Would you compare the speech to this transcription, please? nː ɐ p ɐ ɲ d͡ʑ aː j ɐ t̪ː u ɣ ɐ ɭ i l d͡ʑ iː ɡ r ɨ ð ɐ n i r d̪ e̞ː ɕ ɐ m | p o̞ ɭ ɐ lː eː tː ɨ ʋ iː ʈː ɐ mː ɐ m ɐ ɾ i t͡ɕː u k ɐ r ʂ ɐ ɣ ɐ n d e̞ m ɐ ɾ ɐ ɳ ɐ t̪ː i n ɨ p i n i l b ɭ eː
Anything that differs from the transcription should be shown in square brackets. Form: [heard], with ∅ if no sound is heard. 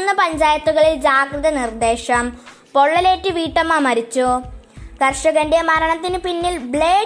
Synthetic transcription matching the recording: nː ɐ p ɐ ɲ d͡ʑ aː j ɐ t̪ː u ɣ ɐ ɭ i l d͡ʑ [aː] ɡ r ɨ ð ɐ n i r d̪ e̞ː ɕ ɐ m | p o̞ [ɭː] ɐ [l] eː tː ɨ ʋ iː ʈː ɐ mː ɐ m ɐ ɾ i t͡ɕː u k ɐ r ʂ ɐ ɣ ɐ n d e̞ m ɐ ɾ ɐ ɳ ɐ t̪ː i n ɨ p i [nː] i l b ɭ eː